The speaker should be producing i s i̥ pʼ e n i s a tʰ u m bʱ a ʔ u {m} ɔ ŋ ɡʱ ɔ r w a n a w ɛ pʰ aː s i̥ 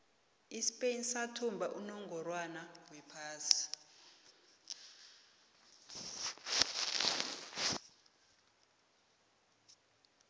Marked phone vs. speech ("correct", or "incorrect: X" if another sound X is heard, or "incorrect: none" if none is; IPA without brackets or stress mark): incorrect: n